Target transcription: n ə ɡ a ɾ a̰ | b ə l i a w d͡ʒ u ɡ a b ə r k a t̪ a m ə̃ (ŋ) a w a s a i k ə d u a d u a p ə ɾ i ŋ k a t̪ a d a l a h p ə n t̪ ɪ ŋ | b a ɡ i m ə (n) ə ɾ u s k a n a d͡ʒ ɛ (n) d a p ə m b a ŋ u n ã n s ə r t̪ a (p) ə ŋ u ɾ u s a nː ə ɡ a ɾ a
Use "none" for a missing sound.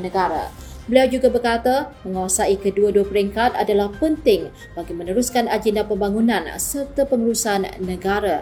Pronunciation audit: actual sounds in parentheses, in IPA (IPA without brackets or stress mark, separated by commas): ŋ, n, n, p